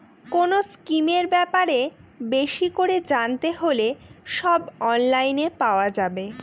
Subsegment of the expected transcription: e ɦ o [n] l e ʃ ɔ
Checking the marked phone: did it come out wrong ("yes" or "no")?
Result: yes